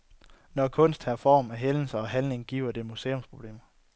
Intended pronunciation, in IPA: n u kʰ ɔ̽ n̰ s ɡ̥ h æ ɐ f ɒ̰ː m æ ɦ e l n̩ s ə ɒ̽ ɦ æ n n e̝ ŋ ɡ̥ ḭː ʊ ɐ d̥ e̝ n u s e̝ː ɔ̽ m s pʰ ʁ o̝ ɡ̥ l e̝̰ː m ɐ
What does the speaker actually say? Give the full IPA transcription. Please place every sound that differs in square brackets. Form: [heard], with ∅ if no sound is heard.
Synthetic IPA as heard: n [ɒ] kʰ ɔ̽ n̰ s [d̥] h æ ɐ f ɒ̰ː m æ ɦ e l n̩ s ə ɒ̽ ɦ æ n n e̝ ŋ ɡ̥ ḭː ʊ ɐ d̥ e̝ [m] u s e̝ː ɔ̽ m s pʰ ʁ o̝ [b̥] l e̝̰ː m ɐ